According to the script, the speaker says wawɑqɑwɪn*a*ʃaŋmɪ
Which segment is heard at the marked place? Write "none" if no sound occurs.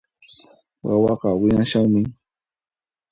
a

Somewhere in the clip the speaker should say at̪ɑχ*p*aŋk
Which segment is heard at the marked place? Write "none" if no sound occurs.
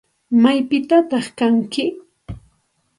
k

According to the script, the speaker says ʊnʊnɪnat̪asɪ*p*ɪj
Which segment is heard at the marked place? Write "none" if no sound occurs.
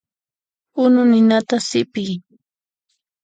p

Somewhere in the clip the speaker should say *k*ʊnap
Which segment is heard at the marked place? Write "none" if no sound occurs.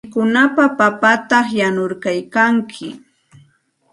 k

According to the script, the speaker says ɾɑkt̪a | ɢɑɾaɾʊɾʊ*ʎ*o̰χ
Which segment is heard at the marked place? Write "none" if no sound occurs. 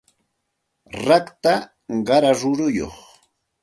j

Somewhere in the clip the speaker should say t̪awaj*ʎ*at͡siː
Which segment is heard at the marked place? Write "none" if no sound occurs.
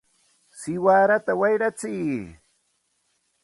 ɾ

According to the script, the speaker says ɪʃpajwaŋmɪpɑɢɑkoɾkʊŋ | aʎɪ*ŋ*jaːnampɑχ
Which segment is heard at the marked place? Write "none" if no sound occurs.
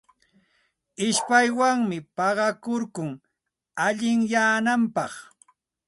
ŋ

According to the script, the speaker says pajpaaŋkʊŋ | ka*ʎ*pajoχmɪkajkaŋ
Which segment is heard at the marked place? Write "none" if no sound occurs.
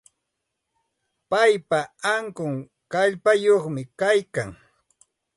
ʎ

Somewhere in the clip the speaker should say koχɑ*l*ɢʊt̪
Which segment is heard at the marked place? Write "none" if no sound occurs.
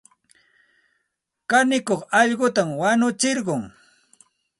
ʎ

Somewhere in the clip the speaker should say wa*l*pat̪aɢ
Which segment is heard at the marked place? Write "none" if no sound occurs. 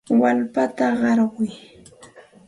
l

